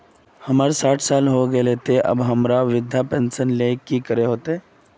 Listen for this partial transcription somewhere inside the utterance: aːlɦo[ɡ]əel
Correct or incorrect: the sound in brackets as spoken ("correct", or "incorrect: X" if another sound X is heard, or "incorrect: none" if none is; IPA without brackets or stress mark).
correct